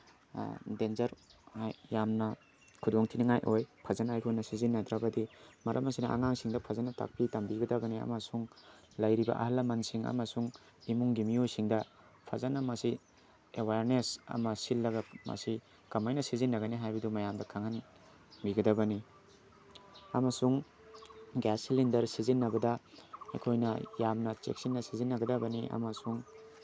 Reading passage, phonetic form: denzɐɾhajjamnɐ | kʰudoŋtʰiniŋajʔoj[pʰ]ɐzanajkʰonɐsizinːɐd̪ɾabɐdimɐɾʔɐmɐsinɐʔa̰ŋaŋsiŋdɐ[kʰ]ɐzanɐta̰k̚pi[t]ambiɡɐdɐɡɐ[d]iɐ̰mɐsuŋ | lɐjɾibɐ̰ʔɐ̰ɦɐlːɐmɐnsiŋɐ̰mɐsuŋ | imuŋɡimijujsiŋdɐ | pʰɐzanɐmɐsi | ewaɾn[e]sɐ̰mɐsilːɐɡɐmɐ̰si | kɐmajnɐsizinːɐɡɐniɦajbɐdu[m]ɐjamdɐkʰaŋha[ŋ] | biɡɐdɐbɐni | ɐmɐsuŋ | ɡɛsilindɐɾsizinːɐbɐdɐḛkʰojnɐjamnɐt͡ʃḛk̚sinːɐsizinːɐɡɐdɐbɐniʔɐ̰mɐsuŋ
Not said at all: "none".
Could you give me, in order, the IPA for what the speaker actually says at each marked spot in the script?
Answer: pʰ, pʰ, t, n, e, m, n

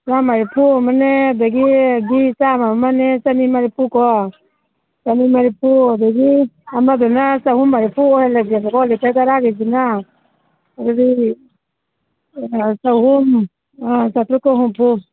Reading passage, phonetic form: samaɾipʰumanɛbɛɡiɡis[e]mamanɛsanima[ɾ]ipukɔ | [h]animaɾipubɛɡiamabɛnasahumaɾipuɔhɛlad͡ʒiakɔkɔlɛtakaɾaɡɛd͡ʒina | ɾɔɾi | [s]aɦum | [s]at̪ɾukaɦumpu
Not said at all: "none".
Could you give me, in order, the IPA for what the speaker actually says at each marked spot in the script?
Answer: a, ɾ, s, s, s

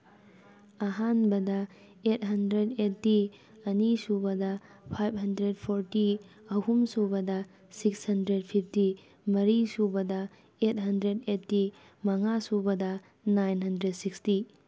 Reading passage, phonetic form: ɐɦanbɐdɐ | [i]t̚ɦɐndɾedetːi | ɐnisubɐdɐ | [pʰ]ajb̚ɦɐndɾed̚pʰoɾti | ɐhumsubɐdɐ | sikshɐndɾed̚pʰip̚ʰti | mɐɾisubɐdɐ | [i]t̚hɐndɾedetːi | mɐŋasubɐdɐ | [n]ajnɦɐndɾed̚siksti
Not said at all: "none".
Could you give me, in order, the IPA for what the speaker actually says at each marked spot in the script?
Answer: e, pʰ, e, n

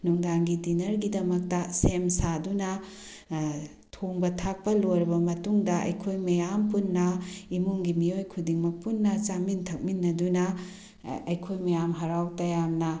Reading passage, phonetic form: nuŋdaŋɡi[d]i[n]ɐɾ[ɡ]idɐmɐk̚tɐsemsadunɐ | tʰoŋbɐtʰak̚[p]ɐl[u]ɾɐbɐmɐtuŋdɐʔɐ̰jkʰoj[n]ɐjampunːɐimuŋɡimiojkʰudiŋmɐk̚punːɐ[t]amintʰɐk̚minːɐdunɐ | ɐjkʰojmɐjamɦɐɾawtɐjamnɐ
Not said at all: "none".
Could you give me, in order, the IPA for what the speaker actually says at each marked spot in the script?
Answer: d, n, ɡ, p, o, m, t͡ʃ

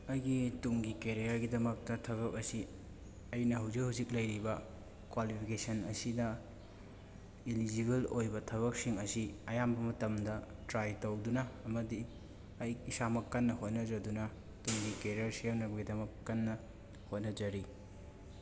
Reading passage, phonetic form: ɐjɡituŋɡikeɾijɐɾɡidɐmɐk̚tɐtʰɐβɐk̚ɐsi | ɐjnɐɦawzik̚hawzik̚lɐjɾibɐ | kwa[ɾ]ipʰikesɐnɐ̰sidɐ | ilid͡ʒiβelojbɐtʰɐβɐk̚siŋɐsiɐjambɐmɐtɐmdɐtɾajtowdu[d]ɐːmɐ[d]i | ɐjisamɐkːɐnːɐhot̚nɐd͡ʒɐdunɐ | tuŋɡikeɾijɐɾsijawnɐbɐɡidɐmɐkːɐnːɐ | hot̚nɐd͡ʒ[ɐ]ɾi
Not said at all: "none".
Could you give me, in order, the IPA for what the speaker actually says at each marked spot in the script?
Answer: l, n, d, ɐ

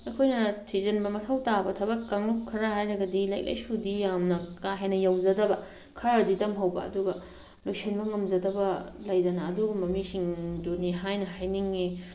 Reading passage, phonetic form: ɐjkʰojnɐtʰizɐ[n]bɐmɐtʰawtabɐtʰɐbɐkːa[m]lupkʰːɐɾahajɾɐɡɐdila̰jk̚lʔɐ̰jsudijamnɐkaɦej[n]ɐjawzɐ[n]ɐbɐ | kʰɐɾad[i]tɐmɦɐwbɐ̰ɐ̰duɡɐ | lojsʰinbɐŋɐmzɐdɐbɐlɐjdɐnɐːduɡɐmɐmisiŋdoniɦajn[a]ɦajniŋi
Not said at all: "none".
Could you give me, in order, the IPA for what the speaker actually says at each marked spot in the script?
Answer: n, ŋ, n, d, i, ɐ

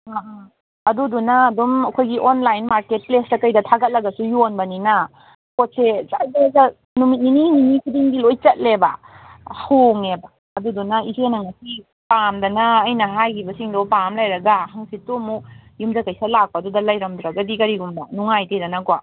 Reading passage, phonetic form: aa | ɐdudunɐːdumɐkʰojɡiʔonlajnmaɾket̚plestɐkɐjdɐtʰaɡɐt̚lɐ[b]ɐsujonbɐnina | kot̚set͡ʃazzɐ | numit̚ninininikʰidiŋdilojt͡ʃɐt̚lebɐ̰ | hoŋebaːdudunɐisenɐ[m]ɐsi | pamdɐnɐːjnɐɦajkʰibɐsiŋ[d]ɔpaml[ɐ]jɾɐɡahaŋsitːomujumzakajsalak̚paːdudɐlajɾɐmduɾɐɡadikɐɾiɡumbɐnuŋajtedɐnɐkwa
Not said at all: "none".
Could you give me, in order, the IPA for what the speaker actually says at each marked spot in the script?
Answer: ɡ, ŋ, d, a

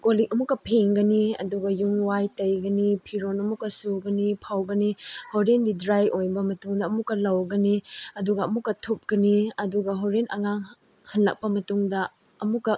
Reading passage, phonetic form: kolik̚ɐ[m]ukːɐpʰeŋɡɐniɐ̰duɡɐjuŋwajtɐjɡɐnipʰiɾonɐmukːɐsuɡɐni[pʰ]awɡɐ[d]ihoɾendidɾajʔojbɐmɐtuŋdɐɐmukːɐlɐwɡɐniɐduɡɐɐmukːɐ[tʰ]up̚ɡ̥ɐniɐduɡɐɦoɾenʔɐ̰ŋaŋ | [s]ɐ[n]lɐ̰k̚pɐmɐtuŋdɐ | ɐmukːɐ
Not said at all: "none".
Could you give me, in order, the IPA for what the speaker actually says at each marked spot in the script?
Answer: m, pʰ, n, tʰ, h, n

